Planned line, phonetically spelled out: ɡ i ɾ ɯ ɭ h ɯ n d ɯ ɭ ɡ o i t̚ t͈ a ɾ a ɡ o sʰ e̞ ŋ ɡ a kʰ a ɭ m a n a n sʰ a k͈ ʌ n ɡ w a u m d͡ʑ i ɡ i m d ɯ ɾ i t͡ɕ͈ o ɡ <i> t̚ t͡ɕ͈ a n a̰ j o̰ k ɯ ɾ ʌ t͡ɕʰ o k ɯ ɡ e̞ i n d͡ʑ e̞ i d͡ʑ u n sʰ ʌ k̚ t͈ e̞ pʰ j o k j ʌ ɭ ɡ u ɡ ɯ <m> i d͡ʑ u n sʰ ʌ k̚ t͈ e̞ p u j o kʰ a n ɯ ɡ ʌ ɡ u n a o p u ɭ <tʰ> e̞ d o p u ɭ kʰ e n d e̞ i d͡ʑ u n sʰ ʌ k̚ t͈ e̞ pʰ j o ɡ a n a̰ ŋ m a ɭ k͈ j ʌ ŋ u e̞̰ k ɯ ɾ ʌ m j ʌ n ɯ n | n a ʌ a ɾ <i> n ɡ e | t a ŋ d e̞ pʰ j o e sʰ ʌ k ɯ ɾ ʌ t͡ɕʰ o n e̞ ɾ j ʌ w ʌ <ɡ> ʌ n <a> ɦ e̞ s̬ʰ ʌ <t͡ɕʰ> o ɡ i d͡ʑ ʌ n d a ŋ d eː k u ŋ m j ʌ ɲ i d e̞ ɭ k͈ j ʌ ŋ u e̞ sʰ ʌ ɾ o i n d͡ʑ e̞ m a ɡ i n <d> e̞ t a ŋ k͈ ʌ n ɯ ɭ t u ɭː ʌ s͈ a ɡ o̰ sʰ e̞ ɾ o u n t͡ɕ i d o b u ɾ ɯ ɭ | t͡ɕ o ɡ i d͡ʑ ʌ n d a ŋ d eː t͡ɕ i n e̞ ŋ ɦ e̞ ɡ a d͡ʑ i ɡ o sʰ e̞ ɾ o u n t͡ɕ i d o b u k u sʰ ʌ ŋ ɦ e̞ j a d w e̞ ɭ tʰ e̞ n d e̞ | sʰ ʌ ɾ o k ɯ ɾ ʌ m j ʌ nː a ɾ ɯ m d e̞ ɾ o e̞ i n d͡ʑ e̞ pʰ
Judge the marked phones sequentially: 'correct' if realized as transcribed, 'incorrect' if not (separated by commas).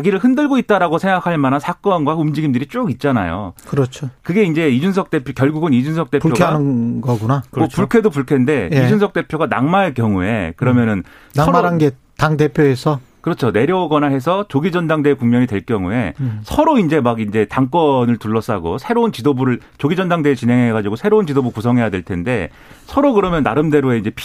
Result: correct, incorrect, incorrect, incorrect, correct, correct, incorrect, incorrect